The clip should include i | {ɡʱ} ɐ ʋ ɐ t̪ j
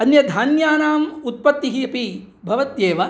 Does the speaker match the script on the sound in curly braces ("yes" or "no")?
no